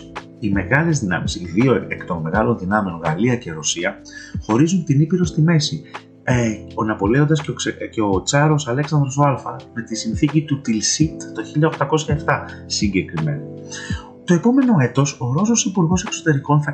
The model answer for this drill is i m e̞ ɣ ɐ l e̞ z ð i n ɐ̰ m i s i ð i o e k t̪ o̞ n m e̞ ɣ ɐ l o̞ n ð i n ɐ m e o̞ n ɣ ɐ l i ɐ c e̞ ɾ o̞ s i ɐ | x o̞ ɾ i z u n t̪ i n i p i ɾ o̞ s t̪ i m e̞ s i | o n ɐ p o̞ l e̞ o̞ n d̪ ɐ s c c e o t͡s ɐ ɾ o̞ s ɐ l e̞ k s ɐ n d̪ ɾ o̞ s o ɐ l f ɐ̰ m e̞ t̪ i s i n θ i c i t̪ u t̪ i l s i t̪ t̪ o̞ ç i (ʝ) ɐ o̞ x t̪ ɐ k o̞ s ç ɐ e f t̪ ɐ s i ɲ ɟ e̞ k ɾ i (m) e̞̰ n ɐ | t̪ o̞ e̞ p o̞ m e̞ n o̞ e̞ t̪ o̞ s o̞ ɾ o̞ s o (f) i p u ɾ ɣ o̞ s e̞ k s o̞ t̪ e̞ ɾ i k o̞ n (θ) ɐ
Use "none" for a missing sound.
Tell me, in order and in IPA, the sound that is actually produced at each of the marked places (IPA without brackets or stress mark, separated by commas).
ʎ, m, s, θ